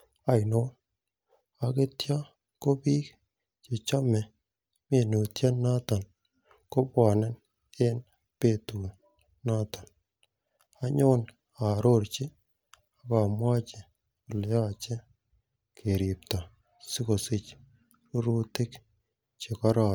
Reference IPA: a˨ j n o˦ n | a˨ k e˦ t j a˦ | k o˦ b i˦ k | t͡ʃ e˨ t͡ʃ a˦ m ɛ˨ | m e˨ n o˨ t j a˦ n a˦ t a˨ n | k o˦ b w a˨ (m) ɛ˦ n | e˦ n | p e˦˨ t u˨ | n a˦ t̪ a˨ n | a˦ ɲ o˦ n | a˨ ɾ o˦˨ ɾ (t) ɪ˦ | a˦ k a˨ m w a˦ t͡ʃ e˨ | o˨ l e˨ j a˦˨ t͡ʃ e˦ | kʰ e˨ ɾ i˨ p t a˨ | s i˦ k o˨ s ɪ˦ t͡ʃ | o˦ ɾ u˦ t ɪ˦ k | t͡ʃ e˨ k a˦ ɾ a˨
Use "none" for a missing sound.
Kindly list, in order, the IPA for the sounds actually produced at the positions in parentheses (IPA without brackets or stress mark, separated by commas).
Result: n, t͡ʃ